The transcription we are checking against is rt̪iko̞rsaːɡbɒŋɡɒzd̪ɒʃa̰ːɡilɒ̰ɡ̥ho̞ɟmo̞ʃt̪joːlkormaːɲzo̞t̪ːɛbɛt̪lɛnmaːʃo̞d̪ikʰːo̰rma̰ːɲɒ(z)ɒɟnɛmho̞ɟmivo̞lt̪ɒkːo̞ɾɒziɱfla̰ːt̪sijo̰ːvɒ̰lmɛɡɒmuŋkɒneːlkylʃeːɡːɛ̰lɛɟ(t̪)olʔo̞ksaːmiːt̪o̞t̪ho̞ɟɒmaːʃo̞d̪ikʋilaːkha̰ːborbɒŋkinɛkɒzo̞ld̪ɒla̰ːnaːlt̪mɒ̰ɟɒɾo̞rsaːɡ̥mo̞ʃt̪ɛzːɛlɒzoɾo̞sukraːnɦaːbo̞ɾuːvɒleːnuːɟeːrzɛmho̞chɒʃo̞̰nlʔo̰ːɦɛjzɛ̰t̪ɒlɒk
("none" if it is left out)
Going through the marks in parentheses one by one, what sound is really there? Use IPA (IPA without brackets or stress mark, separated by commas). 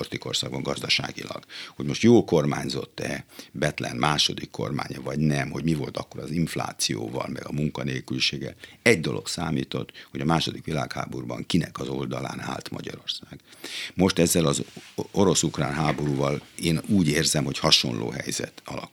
v, d̪